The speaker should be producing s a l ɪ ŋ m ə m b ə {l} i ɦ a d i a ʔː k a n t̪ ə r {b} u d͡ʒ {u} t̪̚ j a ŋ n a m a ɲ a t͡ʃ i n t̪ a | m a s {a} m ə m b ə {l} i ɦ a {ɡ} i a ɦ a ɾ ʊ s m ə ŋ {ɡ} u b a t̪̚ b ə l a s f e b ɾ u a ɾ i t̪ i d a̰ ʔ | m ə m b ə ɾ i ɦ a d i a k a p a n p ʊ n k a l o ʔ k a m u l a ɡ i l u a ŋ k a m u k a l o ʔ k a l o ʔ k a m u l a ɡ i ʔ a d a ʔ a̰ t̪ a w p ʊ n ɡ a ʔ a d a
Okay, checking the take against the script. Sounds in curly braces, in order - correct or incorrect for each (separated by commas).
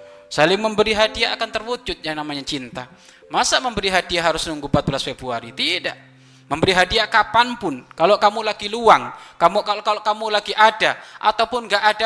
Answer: incorrect, incorrect, incorrect, correct, incorrect, incorrect, correct